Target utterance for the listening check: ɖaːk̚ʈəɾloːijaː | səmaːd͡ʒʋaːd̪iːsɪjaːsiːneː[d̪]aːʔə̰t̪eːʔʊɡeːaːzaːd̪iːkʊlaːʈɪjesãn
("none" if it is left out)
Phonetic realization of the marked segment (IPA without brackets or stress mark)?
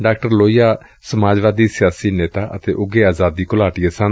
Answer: t̪